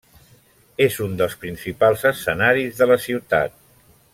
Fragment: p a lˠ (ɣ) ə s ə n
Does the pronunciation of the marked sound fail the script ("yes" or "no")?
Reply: yes